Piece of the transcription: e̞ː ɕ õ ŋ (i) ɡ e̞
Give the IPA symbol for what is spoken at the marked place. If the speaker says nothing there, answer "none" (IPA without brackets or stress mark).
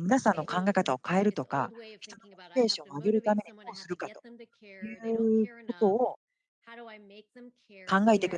a